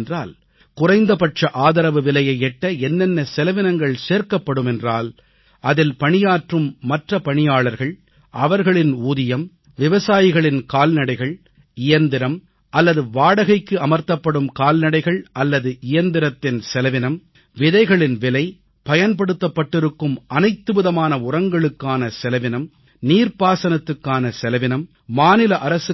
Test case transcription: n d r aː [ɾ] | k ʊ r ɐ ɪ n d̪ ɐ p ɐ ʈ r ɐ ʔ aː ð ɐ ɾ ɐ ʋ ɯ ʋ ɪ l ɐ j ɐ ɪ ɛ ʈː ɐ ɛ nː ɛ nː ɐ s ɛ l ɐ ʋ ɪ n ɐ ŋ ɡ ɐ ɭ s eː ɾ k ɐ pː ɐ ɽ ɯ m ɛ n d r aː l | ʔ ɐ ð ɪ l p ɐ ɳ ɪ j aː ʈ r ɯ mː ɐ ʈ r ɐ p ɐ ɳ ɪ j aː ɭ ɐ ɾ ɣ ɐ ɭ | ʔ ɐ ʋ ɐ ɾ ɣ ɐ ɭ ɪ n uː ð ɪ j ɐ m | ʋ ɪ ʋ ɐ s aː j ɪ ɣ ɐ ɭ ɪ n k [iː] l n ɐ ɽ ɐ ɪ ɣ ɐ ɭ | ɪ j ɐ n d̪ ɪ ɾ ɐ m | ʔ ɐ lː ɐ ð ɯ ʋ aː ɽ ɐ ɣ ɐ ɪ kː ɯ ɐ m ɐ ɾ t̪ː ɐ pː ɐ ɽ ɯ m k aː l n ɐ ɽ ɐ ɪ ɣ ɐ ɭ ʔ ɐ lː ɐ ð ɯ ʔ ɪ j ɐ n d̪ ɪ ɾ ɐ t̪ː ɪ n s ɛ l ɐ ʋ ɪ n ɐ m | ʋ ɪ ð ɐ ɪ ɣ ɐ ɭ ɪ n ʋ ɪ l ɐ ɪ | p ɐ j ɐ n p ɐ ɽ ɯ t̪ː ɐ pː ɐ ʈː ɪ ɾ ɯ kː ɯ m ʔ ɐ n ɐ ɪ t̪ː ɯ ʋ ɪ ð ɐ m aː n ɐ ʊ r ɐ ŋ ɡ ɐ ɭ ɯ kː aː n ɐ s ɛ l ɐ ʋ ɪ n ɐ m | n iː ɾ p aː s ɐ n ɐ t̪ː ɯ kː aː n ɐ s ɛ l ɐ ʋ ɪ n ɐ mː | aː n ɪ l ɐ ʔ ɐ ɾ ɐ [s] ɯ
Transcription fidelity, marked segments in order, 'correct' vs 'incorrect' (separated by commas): incorrect, incorrect, correct